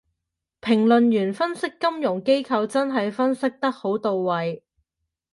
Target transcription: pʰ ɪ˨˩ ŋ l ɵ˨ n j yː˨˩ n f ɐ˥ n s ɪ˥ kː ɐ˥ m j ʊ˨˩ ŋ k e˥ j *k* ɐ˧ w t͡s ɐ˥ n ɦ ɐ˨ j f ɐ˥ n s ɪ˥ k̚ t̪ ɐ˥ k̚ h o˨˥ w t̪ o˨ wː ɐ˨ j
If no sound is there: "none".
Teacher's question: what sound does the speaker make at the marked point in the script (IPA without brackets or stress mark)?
kʰ